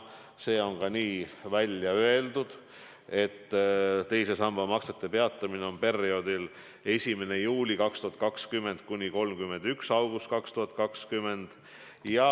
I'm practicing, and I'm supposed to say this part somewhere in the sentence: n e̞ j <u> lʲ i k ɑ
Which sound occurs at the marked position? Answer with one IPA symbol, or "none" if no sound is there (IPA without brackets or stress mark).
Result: uː